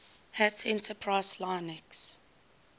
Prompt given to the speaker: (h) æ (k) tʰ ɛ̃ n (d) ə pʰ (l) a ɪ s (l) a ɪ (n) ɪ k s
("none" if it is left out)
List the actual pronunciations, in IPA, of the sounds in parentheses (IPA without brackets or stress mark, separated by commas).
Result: h, none, t, ɹ, l, n